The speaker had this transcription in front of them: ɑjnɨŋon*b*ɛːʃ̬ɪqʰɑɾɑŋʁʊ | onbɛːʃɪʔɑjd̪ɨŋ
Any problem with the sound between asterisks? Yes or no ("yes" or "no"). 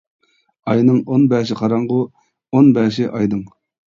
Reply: no